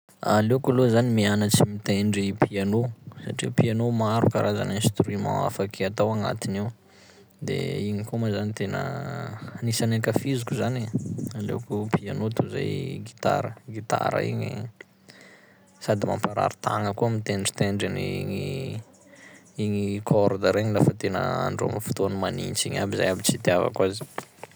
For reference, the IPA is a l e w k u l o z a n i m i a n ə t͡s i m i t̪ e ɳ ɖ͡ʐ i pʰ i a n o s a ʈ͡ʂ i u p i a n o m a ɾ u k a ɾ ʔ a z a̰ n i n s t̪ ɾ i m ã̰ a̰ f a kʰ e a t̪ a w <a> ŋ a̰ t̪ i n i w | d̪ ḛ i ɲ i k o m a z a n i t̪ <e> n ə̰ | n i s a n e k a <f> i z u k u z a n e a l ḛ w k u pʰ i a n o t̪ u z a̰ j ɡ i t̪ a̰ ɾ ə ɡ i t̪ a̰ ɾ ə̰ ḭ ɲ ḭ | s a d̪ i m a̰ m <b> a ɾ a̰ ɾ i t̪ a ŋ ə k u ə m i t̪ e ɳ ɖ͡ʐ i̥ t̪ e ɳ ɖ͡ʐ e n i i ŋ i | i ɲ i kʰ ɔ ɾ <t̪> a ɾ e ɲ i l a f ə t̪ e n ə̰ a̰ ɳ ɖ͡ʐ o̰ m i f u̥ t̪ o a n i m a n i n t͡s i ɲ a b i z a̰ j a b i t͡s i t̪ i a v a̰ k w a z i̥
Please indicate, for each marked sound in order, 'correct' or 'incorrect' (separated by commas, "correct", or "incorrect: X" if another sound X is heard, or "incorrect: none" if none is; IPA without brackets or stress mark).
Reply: correct, correct, correct, incorrect: p, incorrect: d̪